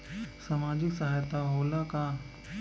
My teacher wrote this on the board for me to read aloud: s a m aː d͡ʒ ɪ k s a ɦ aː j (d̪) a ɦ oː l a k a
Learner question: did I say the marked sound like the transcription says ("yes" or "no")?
no